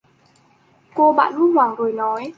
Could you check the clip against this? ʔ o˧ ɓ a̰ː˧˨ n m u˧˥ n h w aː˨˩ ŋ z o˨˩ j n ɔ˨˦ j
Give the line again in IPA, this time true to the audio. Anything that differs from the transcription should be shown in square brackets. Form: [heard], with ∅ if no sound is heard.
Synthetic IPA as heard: [k] o˧ ɓ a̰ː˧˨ n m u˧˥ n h w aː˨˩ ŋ z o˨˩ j n ɔ˨˦ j